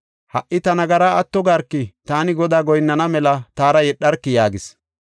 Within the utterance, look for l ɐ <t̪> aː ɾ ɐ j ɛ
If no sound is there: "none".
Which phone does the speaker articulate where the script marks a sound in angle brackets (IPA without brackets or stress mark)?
t̪